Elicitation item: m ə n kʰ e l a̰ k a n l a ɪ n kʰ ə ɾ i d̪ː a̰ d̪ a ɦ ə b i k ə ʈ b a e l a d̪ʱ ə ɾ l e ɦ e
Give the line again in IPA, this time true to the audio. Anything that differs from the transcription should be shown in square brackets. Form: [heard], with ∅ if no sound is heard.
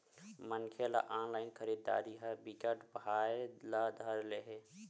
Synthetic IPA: m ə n kʰ e l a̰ [ʔ] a n l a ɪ n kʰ ə ɾ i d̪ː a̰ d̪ [i] ɦ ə b i k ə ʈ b a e l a d̪ʱ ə ɾ l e ɦ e